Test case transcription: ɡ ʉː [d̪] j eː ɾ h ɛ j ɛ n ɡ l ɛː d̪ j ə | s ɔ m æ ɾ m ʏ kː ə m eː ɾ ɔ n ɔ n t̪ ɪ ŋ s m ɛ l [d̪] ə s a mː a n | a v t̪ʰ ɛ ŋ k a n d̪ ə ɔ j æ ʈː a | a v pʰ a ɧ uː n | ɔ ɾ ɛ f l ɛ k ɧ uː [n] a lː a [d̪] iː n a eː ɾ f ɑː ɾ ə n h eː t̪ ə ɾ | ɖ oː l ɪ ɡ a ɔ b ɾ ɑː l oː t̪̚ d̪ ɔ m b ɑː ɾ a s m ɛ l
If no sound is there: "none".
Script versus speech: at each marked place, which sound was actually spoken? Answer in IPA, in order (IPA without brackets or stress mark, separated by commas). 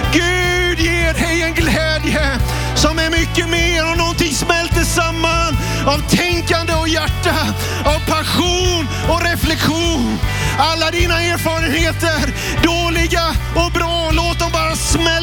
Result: d̪, t̪, n, d̪